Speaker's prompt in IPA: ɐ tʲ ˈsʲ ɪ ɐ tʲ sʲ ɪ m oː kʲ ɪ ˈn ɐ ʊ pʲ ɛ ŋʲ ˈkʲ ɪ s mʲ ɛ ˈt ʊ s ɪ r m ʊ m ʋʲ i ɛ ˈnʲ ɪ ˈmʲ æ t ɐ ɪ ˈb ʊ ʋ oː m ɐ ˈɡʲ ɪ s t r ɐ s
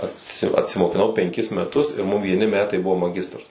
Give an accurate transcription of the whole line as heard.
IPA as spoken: ɐ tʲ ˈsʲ ɪ ɐ tʲ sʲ ɪ m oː kʲ ɪ ˈn ɐ ʊ pʲ ɛ ŋʲ ˈkʲ ɪ s mʲ ɛ ˈt ʊ s ɪ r m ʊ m ʋʲ i ɛ ˈnʲ ɪ ˈmʲ æː t ɐ ɪ ˈb ʊ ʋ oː m ɐ ˈɡʲ ɪ s t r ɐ s